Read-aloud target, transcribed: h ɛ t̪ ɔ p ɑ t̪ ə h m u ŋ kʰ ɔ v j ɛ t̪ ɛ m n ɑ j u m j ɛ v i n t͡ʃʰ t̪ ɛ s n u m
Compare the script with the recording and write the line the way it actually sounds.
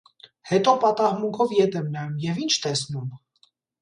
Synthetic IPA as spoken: h ɛ t̪ ɔ p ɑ t̪ ɑ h m u ŋ kʰ ɔ v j ɛ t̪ ɛ m n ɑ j u m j ɛ v i n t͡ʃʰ t̪ ɛ s n u m